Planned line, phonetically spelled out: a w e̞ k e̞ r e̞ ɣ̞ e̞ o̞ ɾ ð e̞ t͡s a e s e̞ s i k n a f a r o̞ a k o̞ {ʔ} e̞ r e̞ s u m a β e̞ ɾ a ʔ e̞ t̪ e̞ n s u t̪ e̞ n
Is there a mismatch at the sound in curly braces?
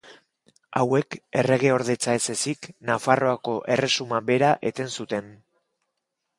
no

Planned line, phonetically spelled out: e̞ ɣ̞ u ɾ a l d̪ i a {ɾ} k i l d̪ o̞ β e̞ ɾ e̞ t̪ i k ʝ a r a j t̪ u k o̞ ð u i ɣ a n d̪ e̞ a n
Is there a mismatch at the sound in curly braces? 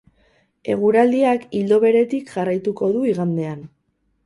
yes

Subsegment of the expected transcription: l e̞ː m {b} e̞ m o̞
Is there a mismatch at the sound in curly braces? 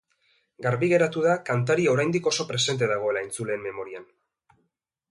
yes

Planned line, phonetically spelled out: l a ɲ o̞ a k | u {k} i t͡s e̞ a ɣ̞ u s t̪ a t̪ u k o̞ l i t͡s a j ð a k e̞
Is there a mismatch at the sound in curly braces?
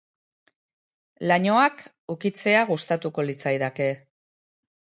no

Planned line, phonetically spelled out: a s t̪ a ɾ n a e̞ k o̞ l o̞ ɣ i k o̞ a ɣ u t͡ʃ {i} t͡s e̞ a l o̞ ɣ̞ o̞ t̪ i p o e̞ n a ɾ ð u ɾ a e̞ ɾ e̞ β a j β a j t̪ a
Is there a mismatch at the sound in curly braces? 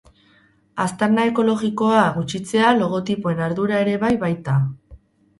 no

